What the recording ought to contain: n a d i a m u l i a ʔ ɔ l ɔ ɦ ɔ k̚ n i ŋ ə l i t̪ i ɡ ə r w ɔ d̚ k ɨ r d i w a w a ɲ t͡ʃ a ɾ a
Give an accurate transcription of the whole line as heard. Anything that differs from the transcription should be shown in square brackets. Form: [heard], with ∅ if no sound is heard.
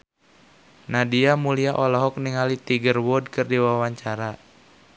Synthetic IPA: n a d i a m u l i a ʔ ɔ l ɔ ɦ ɔ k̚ n i ŋ [a] l i t̪ i ɡ ə r w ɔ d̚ k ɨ r d i w a w a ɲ t͡ʃ a ɾ a